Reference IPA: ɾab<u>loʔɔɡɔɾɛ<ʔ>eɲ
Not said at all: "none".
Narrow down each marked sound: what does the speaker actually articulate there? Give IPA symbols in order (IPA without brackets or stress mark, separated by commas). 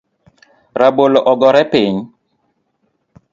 o, p